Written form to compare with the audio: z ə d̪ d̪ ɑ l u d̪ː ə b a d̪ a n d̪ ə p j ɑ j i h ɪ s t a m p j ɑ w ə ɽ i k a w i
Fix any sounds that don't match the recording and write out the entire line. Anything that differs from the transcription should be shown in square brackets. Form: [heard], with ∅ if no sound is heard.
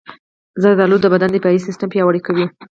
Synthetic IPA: z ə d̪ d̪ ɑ l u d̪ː ə b a d̪ a n d̪ ə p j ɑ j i [s] ɪ s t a m p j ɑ w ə ɽ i k a w i